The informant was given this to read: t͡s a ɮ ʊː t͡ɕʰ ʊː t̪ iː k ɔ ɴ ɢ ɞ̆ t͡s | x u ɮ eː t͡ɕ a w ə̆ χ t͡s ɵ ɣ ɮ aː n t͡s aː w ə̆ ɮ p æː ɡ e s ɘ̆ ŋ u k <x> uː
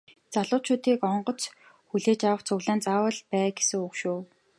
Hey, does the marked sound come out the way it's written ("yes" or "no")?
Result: no